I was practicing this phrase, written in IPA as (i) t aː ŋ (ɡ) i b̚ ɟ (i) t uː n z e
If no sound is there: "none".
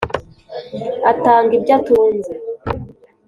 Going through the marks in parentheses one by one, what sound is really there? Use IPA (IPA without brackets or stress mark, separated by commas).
a, ɡ, a